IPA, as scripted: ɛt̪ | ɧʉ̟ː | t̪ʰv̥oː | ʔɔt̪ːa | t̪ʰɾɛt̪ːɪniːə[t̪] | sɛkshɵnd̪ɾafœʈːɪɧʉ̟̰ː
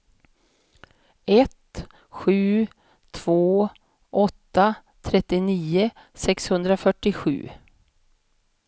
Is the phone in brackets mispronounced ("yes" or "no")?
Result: yes